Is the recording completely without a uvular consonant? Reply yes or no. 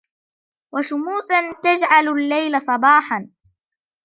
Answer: yes